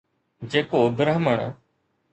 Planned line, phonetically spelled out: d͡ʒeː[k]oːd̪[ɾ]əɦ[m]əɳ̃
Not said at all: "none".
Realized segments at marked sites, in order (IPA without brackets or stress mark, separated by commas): k, ɾ, m